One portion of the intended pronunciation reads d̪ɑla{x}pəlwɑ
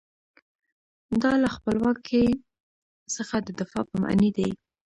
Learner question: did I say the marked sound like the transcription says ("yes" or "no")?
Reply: yes